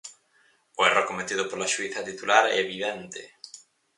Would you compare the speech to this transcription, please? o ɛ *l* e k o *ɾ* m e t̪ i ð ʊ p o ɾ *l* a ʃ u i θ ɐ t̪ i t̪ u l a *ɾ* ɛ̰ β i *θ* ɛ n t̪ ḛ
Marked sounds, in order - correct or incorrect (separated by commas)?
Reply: incorrect, incorrect, correct, correct, incorrect